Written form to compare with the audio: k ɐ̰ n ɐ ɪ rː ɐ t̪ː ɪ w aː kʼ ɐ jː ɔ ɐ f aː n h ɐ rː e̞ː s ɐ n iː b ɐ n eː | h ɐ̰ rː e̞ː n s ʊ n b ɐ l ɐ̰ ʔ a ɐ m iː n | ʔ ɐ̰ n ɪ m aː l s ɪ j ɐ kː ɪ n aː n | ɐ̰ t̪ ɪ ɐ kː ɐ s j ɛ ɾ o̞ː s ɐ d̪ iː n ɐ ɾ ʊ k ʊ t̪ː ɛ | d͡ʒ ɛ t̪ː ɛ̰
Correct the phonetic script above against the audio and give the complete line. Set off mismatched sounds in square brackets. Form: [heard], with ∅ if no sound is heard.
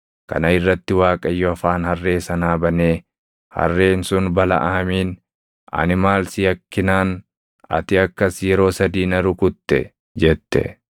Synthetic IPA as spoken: k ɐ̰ n ɐ ɪ rː ɐ t̪ː ɪ w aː kʼ ɐ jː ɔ ɐ f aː n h ɐ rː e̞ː s ɐ n [aː] b ɐ n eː | h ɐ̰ rː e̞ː n s ʊ n b ɐ l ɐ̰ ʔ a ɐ m iː n | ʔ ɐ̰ n ɪ m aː l s ɪ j ɐ kː ɪ n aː n | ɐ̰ t̪ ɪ ɐ kː ɐ s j ɛ ɾ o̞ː s ɐ d̪ iː n ɐ ɾ ʊ k ʊ t̪ː ɛ | d͡ʒ ɛ t̪ː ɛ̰